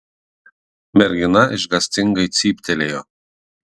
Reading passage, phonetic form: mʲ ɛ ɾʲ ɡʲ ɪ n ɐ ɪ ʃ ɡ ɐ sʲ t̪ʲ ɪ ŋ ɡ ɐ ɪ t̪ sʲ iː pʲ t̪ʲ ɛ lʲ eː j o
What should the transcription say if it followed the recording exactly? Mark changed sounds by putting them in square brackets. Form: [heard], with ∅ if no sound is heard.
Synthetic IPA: mʲ ɛ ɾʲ ɡʲ ɪ n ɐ ɪ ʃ ɡ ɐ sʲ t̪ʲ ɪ ŋ ɡ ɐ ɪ t̪ sʲ iː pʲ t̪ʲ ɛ lʲ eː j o